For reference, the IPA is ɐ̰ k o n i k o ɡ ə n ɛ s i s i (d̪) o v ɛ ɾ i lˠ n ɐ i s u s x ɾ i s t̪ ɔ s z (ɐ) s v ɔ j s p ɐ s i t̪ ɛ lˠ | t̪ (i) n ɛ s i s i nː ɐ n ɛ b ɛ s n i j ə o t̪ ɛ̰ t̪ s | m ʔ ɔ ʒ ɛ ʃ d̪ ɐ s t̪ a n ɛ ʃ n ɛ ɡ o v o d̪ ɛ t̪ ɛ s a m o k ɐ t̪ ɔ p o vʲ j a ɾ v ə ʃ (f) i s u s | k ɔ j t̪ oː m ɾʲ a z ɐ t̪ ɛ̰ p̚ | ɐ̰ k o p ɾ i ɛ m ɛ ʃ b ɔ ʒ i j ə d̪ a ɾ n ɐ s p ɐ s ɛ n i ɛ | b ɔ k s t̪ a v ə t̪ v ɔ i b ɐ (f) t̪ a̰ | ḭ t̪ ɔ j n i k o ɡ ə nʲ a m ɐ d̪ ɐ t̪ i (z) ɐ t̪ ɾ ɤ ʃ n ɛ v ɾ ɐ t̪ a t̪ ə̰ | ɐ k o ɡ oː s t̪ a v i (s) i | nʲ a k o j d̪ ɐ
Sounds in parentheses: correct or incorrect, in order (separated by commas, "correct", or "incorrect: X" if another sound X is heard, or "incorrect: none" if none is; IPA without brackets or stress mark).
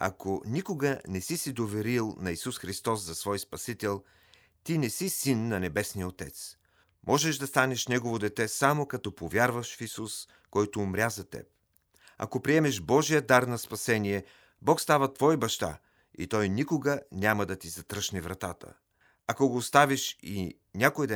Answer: correct, correct, correct, correct, incorrect: ʃ, correct, incorrect: ʃ